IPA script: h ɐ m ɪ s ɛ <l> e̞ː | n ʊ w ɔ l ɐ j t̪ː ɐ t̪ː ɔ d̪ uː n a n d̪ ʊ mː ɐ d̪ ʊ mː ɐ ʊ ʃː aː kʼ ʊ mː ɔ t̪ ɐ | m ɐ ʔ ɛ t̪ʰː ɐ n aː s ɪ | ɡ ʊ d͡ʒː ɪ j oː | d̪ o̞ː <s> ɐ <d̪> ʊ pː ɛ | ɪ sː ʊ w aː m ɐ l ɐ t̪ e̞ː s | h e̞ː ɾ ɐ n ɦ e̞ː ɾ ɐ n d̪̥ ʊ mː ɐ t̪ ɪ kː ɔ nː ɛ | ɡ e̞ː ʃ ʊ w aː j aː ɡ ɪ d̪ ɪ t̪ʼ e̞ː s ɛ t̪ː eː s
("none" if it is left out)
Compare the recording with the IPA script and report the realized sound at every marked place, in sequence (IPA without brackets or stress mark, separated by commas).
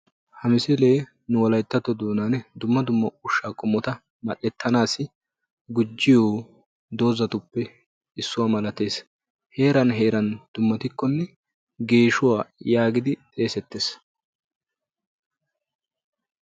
l, z, t̪